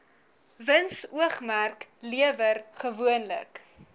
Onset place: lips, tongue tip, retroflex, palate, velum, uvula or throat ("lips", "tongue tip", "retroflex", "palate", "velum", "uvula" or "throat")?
lips